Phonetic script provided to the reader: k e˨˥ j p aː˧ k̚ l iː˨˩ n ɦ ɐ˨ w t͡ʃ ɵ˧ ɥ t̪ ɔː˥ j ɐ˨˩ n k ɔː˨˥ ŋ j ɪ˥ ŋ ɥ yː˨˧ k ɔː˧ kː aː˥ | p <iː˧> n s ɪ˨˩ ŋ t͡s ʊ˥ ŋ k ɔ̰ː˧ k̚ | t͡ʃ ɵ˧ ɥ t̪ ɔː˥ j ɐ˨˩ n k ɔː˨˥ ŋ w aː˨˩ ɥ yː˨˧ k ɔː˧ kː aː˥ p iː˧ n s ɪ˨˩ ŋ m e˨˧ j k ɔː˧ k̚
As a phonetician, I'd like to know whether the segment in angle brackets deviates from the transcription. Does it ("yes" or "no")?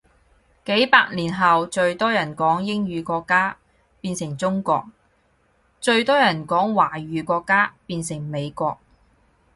no